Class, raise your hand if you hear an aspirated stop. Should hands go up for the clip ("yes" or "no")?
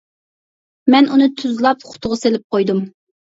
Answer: yes